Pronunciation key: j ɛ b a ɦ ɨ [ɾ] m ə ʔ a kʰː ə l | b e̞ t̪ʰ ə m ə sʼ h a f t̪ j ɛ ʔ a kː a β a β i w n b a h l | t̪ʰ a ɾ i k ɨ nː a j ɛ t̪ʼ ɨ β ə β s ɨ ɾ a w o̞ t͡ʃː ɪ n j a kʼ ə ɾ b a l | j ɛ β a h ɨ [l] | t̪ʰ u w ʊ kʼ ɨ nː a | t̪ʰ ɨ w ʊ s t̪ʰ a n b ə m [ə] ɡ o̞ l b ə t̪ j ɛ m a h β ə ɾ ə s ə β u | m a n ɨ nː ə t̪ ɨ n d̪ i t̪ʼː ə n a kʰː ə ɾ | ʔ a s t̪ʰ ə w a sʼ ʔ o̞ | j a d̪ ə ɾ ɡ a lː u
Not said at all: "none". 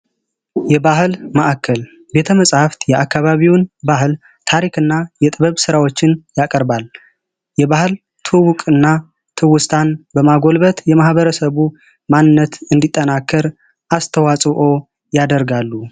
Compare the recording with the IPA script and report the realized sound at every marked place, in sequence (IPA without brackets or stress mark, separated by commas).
l, l, a